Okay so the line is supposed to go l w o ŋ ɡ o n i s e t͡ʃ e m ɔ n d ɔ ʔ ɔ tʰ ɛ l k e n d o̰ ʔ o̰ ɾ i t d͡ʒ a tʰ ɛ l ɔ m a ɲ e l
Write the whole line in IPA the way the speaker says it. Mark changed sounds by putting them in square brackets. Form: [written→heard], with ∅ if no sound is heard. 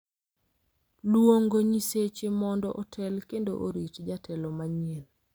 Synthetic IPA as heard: l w o ŋ ɡ o [n→ɲ] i s e t͡ʃ e m ɔ n d ɔ ʔ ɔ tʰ ɛ l k e n d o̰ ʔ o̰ ɾ i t d͡ʒ a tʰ ɛ l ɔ m a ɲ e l